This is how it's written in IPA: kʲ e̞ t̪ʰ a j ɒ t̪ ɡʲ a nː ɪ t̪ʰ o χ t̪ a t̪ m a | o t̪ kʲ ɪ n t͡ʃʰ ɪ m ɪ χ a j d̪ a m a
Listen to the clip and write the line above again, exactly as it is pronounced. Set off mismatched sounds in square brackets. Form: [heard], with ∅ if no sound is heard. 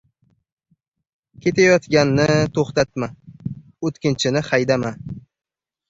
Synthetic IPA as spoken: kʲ e̞ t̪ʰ a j ɒ t̪ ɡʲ a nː ɪ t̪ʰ o χ t̪ a t̪ m a | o t̪ kʲ ɪ n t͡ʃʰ ɪ [n] ɪ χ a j d̪ a m a